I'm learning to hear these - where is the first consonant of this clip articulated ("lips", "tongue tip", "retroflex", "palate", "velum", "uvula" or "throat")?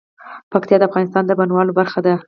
lips